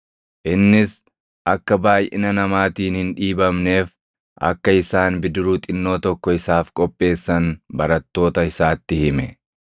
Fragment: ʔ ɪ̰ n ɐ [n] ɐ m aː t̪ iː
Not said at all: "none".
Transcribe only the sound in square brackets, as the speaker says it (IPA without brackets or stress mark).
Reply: n